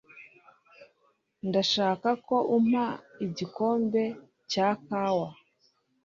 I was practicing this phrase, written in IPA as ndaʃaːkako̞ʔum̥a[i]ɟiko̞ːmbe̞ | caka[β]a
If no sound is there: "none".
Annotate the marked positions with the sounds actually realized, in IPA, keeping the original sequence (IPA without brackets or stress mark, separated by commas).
i, w